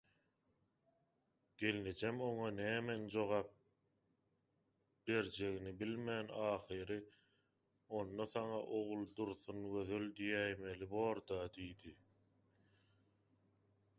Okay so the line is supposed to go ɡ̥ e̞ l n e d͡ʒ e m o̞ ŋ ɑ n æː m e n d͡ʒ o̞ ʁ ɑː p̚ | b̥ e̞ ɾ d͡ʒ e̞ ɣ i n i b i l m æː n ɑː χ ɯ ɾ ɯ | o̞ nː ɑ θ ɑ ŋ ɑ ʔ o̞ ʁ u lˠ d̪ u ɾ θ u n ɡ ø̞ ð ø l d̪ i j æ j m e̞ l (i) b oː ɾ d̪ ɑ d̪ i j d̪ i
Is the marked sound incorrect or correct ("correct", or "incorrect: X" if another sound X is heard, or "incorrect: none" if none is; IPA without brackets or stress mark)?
correct